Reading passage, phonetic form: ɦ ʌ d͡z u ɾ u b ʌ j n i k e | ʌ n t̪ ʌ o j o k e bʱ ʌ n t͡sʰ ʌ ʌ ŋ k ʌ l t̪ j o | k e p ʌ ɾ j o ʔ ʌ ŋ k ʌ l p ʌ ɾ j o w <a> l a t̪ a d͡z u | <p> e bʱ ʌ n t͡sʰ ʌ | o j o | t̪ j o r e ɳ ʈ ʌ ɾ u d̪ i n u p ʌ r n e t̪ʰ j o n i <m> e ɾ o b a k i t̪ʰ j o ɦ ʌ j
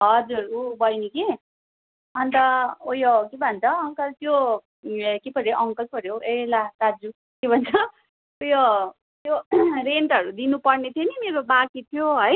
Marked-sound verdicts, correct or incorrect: incorrect: e, incorrect: k, correct

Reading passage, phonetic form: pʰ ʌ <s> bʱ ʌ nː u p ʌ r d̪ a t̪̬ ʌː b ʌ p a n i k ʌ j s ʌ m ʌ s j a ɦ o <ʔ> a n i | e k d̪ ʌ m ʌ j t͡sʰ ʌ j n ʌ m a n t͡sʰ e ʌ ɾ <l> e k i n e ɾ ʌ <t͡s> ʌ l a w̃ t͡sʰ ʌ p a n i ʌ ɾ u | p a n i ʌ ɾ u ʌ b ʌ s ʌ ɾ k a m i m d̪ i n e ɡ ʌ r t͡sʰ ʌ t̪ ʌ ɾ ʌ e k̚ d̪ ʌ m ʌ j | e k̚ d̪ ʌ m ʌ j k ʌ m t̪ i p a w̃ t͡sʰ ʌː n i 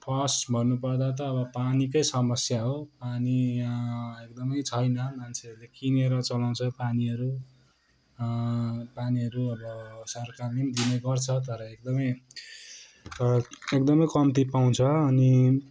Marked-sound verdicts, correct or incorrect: correct, incorrect: p, correct, correct

